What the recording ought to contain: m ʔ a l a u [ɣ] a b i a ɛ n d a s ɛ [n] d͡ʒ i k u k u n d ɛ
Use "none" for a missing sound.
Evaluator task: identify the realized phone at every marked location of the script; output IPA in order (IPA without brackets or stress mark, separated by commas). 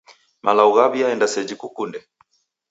ɣ, none